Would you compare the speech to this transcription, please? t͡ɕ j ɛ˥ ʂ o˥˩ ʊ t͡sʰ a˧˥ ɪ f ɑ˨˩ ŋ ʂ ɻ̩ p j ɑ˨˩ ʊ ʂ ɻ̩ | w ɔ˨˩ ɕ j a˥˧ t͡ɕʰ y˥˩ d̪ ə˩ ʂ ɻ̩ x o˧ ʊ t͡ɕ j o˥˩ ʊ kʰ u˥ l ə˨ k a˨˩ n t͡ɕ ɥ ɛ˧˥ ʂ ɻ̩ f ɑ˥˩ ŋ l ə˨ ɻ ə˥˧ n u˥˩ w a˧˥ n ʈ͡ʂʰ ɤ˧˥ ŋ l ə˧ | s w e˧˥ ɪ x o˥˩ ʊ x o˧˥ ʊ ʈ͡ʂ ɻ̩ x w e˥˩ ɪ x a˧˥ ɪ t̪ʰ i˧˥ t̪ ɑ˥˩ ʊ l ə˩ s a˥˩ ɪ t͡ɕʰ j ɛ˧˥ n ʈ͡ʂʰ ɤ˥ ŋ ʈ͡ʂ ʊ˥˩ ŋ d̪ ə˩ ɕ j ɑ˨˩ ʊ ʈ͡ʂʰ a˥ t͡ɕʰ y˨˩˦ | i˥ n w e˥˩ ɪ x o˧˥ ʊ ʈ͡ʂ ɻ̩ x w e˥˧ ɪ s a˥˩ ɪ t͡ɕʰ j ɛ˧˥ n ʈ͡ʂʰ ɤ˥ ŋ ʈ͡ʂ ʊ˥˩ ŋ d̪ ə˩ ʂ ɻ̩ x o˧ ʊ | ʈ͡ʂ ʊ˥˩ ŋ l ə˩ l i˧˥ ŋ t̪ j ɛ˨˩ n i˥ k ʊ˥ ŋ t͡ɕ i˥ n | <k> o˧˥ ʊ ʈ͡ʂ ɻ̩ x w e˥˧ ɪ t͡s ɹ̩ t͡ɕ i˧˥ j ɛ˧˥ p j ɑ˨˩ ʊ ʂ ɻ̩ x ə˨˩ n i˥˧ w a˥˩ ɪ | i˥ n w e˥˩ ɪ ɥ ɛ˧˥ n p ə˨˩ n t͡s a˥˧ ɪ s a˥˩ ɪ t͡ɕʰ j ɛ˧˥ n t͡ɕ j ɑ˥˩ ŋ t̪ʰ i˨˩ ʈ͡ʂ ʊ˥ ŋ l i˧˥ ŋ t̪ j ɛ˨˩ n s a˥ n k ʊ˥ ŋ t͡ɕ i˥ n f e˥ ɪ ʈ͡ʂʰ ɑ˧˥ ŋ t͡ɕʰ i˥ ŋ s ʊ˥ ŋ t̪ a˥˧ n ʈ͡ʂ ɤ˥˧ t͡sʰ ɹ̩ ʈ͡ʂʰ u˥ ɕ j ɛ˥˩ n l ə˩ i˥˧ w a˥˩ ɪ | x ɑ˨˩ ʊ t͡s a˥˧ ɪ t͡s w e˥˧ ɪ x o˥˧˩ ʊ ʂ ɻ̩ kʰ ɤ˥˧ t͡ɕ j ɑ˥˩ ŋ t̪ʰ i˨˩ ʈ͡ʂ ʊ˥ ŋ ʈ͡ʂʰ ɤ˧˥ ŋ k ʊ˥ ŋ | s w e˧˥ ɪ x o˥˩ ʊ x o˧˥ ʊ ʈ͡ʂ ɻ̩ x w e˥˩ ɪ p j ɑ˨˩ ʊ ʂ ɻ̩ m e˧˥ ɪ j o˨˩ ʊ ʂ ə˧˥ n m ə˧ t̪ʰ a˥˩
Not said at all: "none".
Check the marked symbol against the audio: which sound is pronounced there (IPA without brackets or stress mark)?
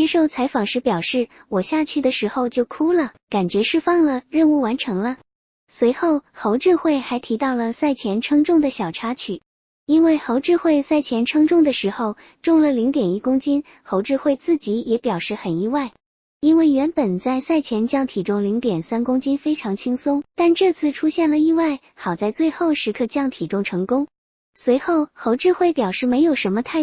x